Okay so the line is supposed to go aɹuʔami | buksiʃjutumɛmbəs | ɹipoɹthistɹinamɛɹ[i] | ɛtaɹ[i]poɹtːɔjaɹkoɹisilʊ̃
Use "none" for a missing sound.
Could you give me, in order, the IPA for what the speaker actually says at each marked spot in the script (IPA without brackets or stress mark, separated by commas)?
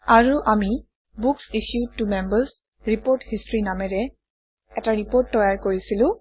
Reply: ɛ, i